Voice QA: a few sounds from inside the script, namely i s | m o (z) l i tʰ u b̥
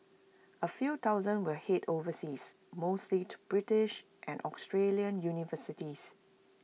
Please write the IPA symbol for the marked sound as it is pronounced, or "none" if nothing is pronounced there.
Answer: s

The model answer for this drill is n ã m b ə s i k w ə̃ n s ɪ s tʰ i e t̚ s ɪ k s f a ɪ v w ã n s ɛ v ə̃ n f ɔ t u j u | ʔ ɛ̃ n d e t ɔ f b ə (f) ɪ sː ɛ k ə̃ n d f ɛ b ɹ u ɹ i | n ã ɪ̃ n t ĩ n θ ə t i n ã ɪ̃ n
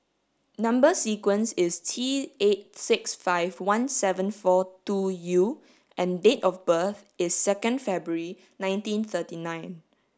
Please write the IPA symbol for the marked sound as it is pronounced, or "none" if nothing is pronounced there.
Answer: θ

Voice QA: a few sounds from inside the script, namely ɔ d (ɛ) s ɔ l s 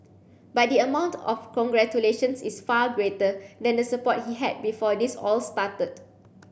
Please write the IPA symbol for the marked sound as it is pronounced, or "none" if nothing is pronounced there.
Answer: i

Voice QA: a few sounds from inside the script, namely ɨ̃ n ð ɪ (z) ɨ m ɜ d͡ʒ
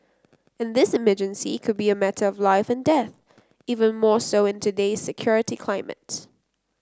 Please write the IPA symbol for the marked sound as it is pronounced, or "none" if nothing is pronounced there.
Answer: s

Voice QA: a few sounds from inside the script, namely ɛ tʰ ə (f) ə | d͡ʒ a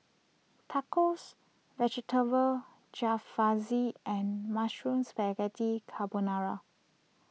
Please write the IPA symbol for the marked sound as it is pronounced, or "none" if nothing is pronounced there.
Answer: v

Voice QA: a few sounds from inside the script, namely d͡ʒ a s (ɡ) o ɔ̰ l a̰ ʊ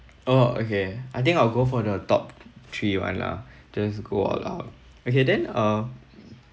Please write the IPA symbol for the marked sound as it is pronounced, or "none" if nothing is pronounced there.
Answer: ɡ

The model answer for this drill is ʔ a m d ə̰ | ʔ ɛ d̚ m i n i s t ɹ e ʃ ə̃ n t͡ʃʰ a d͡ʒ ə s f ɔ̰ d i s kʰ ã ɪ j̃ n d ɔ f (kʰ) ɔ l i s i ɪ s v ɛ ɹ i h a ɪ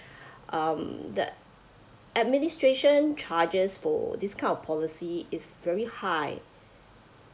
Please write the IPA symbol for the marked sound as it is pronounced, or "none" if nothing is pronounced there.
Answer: pʰ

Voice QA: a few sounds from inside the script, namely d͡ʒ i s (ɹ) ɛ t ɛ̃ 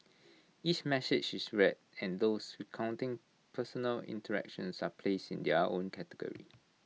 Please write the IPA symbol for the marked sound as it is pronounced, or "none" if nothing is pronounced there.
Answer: ɹ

